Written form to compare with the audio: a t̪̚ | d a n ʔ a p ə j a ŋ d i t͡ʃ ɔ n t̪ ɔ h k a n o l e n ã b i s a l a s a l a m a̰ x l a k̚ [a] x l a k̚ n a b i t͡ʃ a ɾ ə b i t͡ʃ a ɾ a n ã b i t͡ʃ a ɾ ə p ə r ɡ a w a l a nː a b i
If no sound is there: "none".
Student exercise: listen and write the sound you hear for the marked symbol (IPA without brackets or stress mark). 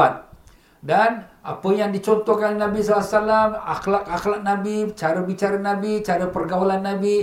a